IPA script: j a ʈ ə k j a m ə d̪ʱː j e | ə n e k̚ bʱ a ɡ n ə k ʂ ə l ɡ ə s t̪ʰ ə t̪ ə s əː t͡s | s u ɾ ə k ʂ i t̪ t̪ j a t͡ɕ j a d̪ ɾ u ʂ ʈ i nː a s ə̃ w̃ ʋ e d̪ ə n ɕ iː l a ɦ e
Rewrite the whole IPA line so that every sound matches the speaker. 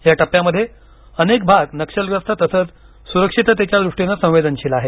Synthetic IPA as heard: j a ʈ ə p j a m ə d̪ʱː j e | ə n e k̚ bʱ a ɡ n ə k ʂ ə l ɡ ə s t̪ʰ ə t̪ ə s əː t͡s | s u ɾ ə k ʂ i t̪ t̪ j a t͡ɕ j a d̪ ɾ u ʂ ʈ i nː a s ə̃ w̃ ʋ e d̪ ə n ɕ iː l a ɦ e